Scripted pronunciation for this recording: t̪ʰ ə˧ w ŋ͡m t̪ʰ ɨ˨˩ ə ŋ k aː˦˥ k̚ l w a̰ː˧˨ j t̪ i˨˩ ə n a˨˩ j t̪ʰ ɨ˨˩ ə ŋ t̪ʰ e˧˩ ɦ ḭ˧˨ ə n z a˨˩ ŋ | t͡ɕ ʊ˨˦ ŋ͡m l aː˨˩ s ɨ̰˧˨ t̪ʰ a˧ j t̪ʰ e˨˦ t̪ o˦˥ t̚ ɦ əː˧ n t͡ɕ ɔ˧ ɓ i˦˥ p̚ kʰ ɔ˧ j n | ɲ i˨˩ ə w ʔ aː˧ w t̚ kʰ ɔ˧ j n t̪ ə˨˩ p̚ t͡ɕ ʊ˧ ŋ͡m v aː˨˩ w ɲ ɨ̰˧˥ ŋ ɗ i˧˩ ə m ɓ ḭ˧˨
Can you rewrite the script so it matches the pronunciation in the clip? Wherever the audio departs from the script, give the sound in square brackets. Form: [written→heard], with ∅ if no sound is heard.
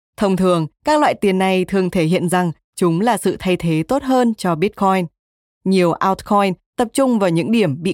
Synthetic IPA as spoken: t̪ʰ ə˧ w ŋ͡m t̪ʰ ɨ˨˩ ə ŋ k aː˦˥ k̚ l w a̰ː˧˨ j t̪ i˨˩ ə [n→nː] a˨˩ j t̪ʰ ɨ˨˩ ə ŋ t̪ʰ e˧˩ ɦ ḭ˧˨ ə n z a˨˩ ŋ | t͡ɕ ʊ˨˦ ŋ͡m l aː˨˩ s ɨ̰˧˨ t̪ʰ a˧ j t̪ʰ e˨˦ t̪ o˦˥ t̚ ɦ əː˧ n t͡ɕ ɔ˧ ɓ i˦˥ [p̚→t̚] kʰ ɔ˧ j n | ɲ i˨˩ ə w ʔ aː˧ w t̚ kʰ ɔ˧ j n t̪ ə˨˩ p̚ t͡ɕ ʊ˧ ŋ͡m v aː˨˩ w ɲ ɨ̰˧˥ ŋ ɗ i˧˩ ə m ɓ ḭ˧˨